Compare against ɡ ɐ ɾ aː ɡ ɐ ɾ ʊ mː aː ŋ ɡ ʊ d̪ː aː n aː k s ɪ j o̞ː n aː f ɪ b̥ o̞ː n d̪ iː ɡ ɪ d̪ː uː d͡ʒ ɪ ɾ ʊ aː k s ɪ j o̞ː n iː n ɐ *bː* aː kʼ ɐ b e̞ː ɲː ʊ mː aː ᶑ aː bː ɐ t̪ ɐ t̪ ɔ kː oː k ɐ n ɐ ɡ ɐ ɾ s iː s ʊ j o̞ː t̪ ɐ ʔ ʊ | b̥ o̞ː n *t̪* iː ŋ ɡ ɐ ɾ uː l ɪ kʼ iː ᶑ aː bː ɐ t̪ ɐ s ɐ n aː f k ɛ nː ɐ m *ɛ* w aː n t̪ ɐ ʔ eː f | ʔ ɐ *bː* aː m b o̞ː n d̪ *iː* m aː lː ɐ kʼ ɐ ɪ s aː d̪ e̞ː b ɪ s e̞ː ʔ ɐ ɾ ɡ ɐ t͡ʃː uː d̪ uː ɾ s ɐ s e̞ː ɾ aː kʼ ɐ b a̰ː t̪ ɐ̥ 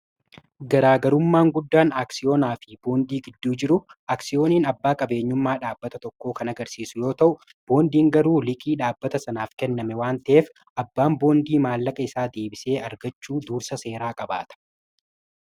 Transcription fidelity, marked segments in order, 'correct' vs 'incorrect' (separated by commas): correct, incorrect, correct, correct, correct